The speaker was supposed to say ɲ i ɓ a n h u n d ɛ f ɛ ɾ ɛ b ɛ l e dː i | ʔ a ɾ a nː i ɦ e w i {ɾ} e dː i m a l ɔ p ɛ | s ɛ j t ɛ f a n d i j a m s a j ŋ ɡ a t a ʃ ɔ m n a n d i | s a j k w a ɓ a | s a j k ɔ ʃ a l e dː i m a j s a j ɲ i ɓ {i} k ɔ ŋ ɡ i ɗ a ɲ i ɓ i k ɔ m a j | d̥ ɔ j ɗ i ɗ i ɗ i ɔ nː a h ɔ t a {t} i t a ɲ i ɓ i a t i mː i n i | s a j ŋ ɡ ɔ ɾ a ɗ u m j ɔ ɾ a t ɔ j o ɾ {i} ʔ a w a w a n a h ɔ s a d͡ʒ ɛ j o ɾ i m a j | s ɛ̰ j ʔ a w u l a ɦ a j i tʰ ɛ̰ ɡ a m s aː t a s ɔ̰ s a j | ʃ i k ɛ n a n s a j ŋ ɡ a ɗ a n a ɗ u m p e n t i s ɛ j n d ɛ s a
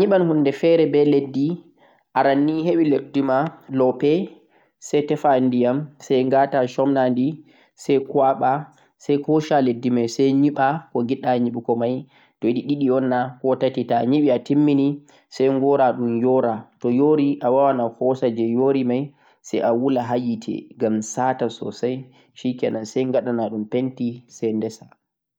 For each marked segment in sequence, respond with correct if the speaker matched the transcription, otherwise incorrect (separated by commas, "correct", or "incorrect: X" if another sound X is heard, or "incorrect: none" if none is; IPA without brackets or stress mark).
incorrect: l, incorrect: a, correct, correct